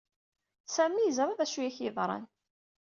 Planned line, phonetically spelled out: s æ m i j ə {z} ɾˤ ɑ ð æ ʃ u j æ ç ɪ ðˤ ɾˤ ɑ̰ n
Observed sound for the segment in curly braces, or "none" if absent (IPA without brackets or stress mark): z